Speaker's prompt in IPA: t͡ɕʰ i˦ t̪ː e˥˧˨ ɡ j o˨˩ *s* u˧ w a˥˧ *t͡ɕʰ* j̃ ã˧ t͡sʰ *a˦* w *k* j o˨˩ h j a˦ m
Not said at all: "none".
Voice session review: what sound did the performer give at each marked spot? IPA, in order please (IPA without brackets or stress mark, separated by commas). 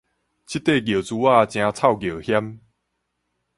t͡s, t͡ɕ, a˥˨, ɡ